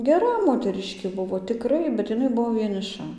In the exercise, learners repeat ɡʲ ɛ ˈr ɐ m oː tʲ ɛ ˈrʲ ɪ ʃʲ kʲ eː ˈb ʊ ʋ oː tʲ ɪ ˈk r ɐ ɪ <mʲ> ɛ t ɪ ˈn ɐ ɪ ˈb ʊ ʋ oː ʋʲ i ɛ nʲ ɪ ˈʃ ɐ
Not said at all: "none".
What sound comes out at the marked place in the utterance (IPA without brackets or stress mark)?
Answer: bʲ